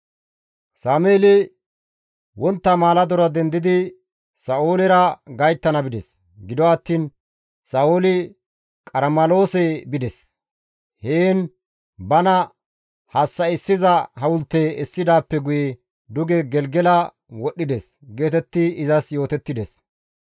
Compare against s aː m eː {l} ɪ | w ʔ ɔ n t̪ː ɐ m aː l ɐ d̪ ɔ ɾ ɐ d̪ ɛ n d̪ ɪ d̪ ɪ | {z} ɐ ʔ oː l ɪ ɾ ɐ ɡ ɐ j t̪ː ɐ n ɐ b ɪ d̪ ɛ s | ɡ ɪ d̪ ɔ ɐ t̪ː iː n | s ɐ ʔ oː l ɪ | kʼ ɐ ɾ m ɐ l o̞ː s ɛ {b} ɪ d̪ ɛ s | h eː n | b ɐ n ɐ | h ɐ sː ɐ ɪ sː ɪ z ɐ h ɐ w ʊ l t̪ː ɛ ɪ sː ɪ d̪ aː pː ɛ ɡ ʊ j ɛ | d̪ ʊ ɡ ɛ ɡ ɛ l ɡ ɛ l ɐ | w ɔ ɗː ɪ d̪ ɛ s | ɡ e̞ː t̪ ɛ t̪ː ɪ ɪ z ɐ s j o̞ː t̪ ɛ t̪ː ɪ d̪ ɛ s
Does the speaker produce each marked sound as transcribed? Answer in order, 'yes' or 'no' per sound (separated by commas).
yes, no, yes